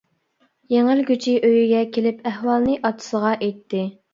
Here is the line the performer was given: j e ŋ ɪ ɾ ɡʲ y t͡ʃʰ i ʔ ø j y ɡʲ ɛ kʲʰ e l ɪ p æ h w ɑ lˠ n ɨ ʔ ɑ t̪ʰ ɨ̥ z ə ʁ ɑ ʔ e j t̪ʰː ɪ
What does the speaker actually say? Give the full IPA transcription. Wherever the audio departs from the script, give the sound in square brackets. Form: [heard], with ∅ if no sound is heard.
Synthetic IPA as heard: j e ŋ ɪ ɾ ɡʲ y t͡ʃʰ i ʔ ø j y ɡʲ ɛ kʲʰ e l ɪ p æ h w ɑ lˠ n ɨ ʔ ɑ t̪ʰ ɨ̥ [s] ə ʁ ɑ ʔ e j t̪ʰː ɪ